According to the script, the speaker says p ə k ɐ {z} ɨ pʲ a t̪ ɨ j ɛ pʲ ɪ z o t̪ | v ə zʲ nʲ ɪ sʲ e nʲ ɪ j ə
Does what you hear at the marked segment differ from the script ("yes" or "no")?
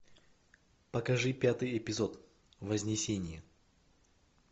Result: yes